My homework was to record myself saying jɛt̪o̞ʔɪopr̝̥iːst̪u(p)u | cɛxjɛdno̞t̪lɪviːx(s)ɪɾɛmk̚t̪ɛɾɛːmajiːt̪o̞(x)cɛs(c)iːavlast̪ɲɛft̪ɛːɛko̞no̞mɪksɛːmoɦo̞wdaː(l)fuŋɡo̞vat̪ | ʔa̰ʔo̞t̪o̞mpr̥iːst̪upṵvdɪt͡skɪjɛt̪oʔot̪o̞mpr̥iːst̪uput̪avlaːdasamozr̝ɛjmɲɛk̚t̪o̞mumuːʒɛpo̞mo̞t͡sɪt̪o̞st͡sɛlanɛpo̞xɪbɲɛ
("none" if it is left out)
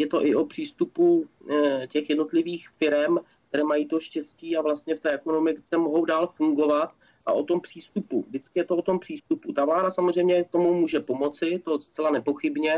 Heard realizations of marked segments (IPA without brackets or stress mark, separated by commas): p, f, ʃ, c, l